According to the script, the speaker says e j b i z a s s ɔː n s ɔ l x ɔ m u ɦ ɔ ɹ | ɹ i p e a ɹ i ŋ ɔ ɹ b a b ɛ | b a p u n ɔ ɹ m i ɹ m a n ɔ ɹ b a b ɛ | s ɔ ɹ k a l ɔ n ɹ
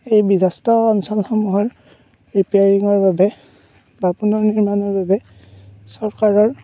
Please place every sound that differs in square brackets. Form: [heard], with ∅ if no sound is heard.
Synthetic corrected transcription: e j b i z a s [t] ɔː n s ɔ l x ɔ m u ɦ ɔ ɹ | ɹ i p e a ɹ i ŋ ɔ ɹ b a b ɛ | b a p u n ɔ ɹ [n] i ɹ m a n ɔ ɹ b a b ɛ | s ɔ ɹ k a [ɹ] ɔ [∅] ɹ